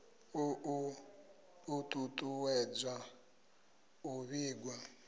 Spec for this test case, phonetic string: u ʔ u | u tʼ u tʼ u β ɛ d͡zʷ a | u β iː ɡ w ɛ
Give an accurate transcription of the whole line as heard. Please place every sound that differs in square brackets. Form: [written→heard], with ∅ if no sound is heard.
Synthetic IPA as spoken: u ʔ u | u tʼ u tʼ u [β→w] ɛ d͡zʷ a | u β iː ɡ w [ɛ→a]